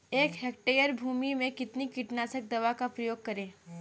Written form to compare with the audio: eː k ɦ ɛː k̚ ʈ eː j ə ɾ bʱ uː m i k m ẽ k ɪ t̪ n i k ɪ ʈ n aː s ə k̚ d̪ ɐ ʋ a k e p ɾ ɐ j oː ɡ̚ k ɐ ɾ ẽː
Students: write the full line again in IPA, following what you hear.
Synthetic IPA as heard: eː k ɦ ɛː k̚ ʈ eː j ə ɾ bʱ uː m i m ẽ k ɪ t̪ n i k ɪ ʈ n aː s ə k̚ d̪ ɐ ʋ a k a p ɾ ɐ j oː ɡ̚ k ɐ ɾ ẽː